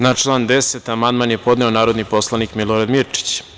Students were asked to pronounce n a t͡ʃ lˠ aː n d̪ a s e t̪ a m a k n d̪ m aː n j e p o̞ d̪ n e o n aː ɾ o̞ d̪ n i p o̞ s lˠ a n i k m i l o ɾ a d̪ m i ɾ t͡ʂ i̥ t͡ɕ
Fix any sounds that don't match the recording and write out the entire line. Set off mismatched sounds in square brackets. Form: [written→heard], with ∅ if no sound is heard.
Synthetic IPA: n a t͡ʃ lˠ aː n d̪ [a→e] s e t̪ a m a [k→∅] n d̪ m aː n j e p o̞ d̪ n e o n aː ɾ o̞ d̪ n i p o̞ s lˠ a n i k m i l o ɾ a d̪ m i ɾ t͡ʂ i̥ t͡ɕ